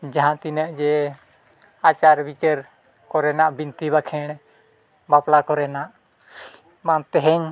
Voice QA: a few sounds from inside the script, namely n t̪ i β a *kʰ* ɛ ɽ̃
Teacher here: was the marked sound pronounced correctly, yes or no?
yes